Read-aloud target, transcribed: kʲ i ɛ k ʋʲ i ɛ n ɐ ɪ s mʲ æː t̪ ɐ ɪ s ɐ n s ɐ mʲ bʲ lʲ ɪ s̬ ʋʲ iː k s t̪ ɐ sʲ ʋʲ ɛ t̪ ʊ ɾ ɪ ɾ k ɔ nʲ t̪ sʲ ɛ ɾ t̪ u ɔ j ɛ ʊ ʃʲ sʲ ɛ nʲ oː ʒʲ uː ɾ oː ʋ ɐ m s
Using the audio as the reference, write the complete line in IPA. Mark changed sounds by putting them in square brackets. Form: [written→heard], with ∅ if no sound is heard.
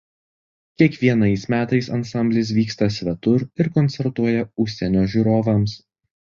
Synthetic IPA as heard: kʲ i ɛ k ʋʲ i ɛ n ɐ ɪ s mʲ æː t̪ ɐ ɪ s ɐ n s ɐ mʲ bʲ lʲ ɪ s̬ ʋʲ iː k s t̪ ɐ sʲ ʋʲ ɛ t̪ ʊ ɾ ɪ ɾ k ɔ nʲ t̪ sʲ ɛ ɾ t̪ u ɔ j ɛ ʊ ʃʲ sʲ ɛ nʲ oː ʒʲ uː ɾ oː ʋ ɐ m s